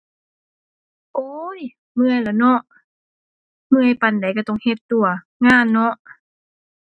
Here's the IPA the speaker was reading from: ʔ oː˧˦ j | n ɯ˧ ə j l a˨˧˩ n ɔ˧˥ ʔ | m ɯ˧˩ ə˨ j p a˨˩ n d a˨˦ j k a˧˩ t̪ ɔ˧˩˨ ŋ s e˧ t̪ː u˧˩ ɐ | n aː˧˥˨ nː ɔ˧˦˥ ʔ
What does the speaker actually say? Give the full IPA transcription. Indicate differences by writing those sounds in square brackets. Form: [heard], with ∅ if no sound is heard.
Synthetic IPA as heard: ʔ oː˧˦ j | [m] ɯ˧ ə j l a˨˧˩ n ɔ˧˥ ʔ | m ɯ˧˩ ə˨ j p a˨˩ n d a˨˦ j k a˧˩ t̪ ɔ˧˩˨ ŋ [h] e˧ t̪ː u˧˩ ɐ | [ŋ] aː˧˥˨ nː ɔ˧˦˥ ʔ